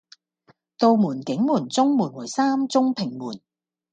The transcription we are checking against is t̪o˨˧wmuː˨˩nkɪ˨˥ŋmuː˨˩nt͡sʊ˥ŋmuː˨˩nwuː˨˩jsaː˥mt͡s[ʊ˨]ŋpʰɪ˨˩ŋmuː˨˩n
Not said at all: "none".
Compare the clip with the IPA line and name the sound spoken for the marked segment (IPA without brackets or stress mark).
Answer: ʊ˥